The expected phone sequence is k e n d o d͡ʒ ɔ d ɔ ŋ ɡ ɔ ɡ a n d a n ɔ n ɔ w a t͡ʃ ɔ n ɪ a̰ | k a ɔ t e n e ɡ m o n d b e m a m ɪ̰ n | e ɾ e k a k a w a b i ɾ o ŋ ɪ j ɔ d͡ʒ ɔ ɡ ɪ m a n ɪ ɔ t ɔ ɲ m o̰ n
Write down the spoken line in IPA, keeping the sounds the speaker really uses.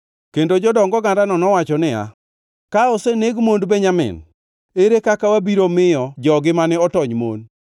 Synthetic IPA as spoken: k e n d o d͡ʒ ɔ d ɔ ŋ ɡ ɔ ɡ a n d a n ɔ n ɔ w a t͡ʃ ɔ n ɪ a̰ | k a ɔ s e n e ɡ m o n d b e ɲ a m ɪ̰ n | e ɾ e k a k a w a b i ɾ o m ɪ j ɔ d͡ʒ ɔ ɡ ɪ m a n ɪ ɔ t ɔ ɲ m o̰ n

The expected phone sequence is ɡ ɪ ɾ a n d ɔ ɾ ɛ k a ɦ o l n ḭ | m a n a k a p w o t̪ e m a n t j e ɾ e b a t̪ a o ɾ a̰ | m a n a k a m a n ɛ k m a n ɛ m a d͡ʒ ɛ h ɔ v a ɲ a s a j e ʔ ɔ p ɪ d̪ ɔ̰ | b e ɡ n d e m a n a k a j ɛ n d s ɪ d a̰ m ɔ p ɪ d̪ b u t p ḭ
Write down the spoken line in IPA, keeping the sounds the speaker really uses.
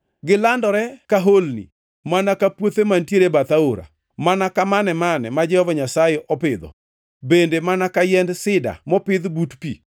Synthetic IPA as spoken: ɡ ɪ l a n d ɔ ɾ ɛ k a ɦ o l n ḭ | m a n a k a p w o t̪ e m a n t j e ɾ e b a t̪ a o ɾ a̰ | m a n a k a m a n ɛ m a n ɛ m a d͡ʒ ɛ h ɔ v a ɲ a s a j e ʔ ɔ p ɪ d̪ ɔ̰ | b e n d e m a n a k a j ɛ n d s ɪ d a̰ m ɔ p ɪ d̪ b u t p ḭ

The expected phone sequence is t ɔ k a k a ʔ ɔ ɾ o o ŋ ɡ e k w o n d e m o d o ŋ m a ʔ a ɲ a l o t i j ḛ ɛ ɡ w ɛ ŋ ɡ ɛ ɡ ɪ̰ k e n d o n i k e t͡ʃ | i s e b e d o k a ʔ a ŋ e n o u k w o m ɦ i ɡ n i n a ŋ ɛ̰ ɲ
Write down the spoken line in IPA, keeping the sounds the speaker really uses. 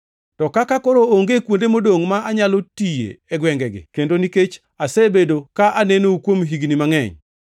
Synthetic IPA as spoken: t ɔ k a k a k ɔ ɾ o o ŋ ɡ e k w o n d e m o d o ŋ m a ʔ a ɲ a l o t i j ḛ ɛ ɡ w ɛ ŋ ɡ ɛ ɡ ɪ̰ k e n d o n i k e t͡ʃ | a s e b e d o k a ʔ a n e n o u k w o m ɦ i ɡ n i m a ŋ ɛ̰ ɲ

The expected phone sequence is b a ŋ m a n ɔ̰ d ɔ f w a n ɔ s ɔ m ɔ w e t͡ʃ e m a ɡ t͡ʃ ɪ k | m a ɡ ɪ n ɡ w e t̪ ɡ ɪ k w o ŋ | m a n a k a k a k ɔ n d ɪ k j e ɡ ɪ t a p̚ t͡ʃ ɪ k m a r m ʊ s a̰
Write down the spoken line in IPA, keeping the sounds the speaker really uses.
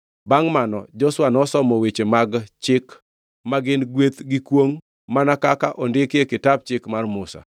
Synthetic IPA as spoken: b a ŋ m a n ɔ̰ d͡ʒ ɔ s w a n ɔ s ɔ m ɔ w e t͡ʃ e m a ɡ t͡ʃ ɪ k | m a ɡ ɪ n ɡ w e t̪ ɡ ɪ k w o ŋ | m a n a k a k a ʔ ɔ n d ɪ k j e k ɪ t a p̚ t͡ʃ ɪ k m a r m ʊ s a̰

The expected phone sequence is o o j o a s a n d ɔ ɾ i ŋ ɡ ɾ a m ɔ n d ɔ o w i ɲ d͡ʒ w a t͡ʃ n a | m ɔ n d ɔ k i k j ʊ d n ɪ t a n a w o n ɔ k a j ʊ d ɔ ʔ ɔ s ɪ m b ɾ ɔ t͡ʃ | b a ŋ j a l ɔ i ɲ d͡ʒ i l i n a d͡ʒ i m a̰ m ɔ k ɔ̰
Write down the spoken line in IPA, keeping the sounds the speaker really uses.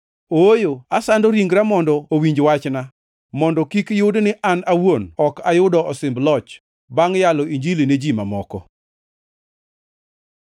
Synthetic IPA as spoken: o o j o a s a n d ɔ ɾ i ŋ ɡ ɾ a m ɔ n d ɔ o w i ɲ d͡ʒ w a t͡ʃ n a | m ɔ n d ɔ k i k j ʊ d n ɪ ʔ a n a w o n ɔ k a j ʊ d ɔ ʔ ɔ s ɪ m b l ɔ t͡ʃ | b a ŋ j a l ɔ i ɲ d͡ʒ i l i n e d͡ʒ i m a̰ m ɔ k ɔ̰

